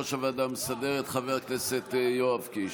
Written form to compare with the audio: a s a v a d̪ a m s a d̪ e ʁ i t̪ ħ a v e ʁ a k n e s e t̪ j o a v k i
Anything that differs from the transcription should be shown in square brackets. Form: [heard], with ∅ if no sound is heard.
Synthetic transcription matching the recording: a [ʃ] a v a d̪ a m s a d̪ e ʁ [e] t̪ [χ] a v e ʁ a k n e s e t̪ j o a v k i